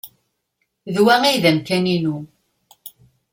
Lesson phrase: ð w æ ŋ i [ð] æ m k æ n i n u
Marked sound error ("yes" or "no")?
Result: no